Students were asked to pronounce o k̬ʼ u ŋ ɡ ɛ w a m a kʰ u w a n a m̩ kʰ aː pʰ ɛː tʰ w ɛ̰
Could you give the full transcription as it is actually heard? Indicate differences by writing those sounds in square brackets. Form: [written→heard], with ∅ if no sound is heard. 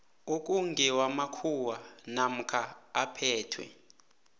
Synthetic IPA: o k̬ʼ u ŋ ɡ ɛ w a m a kʰ u w a n a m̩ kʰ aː pʰ ɛː tʰ w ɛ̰